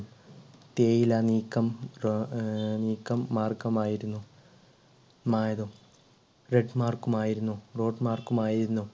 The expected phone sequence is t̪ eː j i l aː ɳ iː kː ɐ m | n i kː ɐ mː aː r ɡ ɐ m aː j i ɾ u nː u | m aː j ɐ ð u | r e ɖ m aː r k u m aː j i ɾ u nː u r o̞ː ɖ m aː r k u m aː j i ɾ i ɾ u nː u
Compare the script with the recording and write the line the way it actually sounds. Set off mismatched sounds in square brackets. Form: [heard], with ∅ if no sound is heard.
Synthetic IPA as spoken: t̪ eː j i l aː [n] iː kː ɐ m | n [iː] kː ɐ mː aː r [k] ɐ m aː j i ɾ u nː u | m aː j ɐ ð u | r e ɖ m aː r k u m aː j i ɾ u nː u r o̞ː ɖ m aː r k u m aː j i ɾ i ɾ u nː u